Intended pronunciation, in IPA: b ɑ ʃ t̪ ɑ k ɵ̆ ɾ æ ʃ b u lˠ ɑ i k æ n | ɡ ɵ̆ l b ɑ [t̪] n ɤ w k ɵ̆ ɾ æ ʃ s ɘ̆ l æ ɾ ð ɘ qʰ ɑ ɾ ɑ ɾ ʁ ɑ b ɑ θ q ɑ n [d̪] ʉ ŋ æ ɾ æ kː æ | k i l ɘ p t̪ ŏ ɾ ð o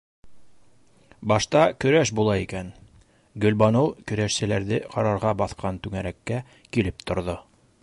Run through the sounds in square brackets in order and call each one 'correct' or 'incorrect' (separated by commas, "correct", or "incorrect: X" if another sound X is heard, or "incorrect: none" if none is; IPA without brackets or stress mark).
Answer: incorrect: none, incorrect: t̪